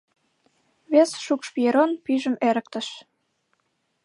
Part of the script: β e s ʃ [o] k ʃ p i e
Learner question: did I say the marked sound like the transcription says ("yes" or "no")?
no